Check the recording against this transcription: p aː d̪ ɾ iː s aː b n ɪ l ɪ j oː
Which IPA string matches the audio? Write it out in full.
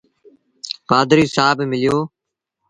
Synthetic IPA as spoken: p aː d̪ ɾ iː s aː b m ɪ l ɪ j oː